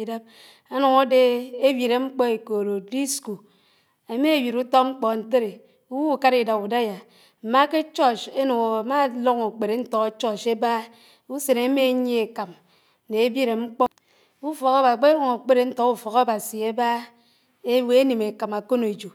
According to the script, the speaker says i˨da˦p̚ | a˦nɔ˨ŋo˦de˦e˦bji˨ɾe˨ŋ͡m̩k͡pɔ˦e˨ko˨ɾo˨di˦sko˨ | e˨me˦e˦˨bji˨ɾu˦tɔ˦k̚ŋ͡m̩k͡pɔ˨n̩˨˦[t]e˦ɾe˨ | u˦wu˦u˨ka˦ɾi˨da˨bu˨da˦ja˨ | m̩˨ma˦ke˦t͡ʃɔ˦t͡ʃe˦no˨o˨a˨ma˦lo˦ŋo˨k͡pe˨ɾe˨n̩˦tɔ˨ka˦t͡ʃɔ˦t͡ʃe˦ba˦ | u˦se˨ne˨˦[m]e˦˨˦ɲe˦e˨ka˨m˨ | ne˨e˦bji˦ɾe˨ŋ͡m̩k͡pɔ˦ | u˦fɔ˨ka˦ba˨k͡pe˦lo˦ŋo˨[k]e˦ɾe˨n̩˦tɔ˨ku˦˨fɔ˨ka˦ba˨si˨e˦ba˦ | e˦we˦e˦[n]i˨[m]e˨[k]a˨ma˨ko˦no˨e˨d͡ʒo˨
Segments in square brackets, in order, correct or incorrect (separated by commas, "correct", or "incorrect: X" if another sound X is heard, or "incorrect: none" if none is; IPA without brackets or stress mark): correct, correct, incorrect: k͡p, correct, correct, correct